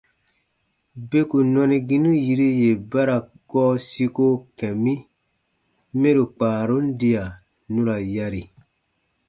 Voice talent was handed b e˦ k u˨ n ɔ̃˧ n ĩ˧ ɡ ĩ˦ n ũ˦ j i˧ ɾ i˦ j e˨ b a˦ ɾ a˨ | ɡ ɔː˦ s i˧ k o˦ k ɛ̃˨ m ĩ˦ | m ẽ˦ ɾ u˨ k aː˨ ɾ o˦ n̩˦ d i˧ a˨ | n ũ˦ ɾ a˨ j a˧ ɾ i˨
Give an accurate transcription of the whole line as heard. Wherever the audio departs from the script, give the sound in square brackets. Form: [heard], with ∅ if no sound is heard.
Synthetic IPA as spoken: b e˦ k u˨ n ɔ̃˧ n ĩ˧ ɡ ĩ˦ n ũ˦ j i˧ ɾ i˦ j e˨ b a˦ ɾ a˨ | ɡ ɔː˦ s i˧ k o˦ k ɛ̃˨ m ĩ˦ | m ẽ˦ ɾ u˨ [k͡p] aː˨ ɾ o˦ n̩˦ d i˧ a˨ | n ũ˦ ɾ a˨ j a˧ ɾ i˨